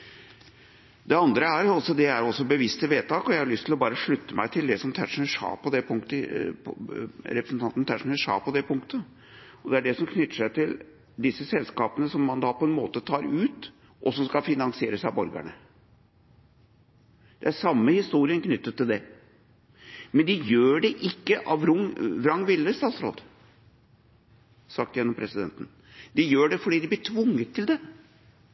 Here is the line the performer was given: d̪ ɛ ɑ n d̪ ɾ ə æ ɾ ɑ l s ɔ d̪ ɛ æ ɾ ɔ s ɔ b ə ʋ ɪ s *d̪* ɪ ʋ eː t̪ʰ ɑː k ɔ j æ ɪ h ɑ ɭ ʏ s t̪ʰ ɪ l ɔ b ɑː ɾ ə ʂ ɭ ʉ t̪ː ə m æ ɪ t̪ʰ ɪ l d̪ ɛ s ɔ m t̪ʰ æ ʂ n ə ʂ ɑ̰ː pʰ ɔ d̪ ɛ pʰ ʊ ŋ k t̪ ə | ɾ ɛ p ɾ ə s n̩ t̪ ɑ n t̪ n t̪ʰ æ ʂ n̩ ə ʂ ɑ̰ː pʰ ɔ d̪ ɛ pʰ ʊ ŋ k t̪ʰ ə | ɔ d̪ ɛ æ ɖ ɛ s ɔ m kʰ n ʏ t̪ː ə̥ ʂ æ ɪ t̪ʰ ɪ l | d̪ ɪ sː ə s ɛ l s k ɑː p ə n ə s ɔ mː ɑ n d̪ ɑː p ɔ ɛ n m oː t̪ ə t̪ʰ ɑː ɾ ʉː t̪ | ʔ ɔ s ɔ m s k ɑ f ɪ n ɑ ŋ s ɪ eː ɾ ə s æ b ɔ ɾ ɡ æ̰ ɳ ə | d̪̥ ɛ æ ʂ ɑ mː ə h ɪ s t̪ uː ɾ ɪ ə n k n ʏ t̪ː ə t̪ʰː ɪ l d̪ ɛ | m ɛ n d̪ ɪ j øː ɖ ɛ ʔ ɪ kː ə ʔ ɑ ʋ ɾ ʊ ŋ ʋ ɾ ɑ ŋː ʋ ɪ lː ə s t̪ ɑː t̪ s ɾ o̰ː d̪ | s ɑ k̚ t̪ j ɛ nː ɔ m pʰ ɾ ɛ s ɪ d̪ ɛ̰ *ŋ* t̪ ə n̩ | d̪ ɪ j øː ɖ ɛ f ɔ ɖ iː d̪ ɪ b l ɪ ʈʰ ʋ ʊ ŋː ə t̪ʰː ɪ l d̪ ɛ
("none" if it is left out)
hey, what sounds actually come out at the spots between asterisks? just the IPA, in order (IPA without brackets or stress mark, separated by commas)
t̪, n